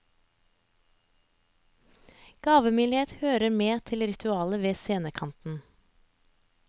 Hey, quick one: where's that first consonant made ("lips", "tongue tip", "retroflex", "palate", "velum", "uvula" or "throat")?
velum